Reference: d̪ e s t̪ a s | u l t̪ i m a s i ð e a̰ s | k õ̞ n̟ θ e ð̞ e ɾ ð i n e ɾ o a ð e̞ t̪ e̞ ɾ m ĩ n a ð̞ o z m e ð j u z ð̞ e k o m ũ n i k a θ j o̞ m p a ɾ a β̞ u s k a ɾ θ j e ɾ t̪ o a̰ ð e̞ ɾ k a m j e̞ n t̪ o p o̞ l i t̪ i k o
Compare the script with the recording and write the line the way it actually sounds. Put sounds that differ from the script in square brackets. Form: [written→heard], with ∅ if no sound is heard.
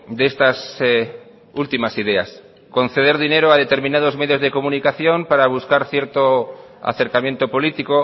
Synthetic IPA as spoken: d̪ e s t̪ a s | u l t̪ i m a s i ð e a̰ s | k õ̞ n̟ θ e ð̞ e ɾ ð i n e ɾ o a ð e̞ t̪ e̞ ɾ m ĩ n a ð̞ o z m e ð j [u→o] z ð̞ e k o m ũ n i k a θ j o̞ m p a ɾ a β̞ u s k a ɾ θ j e ɾ t̪ o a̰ [ð→θ] e̞ ɾ k a m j e̞ n t̪ o p o̞ l i t̪ i k o

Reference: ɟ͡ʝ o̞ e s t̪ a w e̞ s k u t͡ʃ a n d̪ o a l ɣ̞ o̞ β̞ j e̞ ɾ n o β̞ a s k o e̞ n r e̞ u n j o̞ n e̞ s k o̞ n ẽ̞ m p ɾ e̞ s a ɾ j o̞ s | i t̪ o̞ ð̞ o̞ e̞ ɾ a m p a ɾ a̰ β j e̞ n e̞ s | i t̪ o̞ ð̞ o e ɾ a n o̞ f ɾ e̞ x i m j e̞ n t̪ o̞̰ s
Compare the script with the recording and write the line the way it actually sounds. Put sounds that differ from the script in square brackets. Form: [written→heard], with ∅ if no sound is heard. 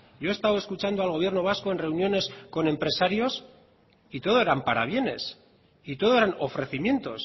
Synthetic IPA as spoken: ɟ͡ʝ o̞ e s t̪ a w e̞ s k u t͡ʃ a n d̪ o a l ɣ̞ o̞ β̞ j e̞ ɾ n o β̞ a s k o e̞ n r e̞ u n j o̞ n e̞ s k o̞ n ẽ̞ m p ɾ e̞ s a ɾ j o̞ s | i t̪ o̞ ð̞ o̞ e̞ ɾ a m p a ɾ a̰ β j e̞ n e̞ s | i t̪ o̞ ð̞ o e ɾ a n o̞ f ɾ e̞ [x→θ] i m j e̞ n t̪ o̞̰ s

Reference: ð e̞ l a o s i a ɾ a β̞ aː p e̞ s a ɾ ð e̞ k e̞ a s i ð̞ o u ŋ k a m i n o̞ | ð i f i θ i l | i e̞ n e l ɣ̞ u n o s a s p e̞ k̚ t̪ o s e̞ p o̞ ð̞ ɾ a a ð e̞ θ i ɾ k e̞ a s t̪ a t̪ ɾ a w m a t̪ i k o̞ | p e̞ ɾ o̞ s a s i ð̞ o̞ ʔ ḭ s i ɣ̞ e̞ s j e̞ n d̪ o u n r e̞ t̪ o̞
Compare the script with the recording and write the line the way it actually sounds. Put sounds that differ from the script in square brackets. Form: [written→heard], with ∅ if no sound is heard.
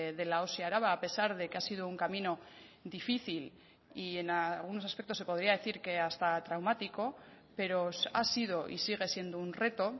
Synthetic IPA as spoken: ð e̞ l a o s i a ɾ a β̞ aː p e̞ s a ɾ ð e̞ k e̞ a s i ð̞ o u ŋ k a m i n o̞ | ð i f i θ i l | i e̞ n [e→a] l ɣ̞ u n o s a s p e̞ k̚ t̪ o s e̞ p o̞ ð̞ ɾ [a→i] a ð e̞ θ i ɾ k e̞ a s t̪ a t̪ ɾ a w m a t̪ i k o̞ | p e̞ ɾ o̞ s a s i ð̞ o̞ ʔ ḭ s i ɣ̞ e̞ s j e̞ n d̪ o u n r e̞ t̪ o̞

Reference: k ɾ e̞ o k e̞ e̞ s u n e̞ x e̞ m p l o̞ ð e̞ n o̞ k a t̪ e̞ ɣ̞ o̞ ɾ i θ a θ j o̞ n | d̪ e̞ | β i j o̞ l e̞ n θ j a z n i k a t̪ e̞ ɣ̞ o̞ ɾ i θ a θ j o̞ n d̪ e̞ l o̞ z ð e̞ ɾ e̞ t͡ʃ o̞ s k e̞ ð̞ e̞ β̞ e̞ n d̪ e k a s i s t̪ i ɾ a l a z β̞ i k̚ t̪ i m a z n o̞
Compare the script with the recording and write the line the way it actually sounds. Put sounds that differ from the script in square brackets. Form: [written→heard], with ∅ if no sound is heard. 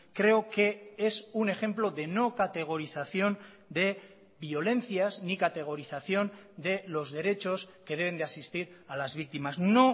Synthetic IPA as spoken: k ɾ e̞ o k e̞ e̞ s u n e̞ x e̞ m p l o̞ ð e̞ n o̞ k a t̪ e̞ ɣ̞ o̞ ɾ i θ a θ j o̞ n | d̪ e̞ | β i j o̞ l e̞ n θ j a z n i k a t̪ e̞ ɣ̞ o̞ ɾ i θ a θ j o̞ n d̪ e̞ l o̞ z ð e̞ ɾ e̞ t͡ʃ o̞ s k e̞ ð̞ e̞ β̞ e̞ n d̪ e [k→∅] a s i s t̪ i ɾ a l a z β̞ i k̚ t̪ i m a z n o̞

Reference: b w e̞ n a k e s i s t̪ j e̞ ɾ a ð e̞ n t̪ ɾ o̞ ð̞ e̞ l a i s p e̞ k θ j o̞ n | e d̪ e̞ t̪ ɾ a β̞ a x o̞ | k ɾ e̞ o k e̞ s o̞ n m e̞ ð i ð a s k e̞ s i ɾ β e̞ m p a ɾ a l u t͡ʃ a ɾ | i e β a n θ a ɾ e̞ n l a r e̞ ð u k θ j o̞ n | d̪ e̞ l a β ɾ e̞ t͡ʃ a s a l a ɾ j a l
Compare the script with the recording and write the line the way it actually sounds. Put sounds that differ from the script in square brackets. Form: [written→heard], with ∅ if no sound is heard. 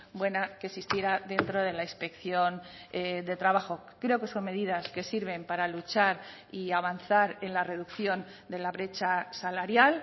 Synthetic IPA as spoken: b w e̞ n a k e s i s t̪ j e̞ ɾ a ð e̞ n t̪ ɾ o̞ ð̞ e̞ l a i s p e̞ k θ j o̞ n | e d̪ e̞ t̪ ɾ a β̞ a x o̞ | k ɾ e̞ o k e̞ s o̞ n m e̞ ð i ð a s k e̞ s i ɾ β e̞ m p a ɾ a l u t͡ʃ a ɾ | i [e→a] β a n θ a ɾ e̞ n l a r e̞ ð u k θ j o̞ n | d̪ e̞ l a β ɾ e̞ t͡ʃ a s a l a ɾ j a l

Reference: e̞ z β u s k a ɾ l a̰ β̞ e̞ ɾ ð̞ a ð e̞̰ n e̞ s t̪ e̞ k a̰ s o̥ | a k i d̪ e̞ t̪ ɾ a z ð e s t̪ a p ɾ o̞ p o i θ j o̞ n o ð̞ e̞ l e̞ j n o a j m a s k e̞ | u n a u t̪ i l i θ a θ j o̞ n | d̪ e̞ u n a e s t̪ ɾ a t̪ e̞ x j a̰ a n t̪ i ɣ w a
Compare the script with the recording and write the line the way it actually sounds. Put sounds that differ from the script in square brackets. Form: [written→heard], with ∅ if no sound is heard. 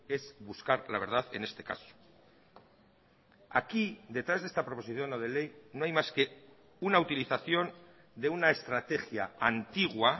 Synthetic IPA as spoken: e̞ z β u s k a ɾ l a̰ β̞ e̞ ɾ ð̞ a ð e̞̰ n e̞ s t̪ e̞ k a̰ s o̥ | a k i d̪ e̞ t̪ ɾ a z ð e s t̪ a p ɾ o̞ p o i θ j o̞ n o ð̞ e̞ l e̞ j n o a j m a s k e̞ | u n a u t̪ i l i θ a θ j o̞ n | d̪ e̞ u n a e s t̪ ɾ a t̪ e̞ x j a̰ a n t̪ i ɣ w a

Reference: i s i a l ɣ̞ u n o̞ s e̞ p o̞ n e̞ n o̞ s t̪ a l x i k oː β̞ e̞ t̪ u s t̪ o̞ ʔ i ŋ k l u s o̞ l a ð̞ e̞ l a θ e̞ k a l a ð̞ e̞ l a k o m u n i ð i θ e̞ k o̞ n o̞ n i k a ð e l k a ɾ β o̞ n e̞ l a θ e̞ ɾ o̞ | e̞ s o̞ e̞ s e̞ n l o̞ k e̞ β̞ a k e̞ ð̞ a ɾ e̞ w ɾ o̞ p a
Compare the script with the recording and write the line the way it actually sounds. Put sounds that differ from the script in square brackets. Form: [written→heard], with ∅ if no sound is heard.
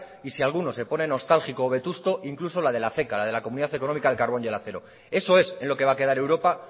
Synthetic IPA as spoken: i s i a l ɣ̞ u n o̞ s e̞ p o̞ n e̞ n o̞ s t̪ a l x i k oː β̞ e̞ t̪ u s t̪ o̞ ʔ i ŋ k l u s o̞ l a ð̞ e̞ l a θ e̞ k a l a ð̞ e̞ l a k o m u n i ð [i→a] θ e̞ k o̞ n o̞ [n→m] i k a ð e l k a ɾ β o̞ n e̞ l a θ e̞ ɾ o̞ | e̞ s o̞ e̞ s e̞ n l o̞ k e̞ β̞ a k e̞ ð̞ a ɾ e̞ w ɾ o̞ p a

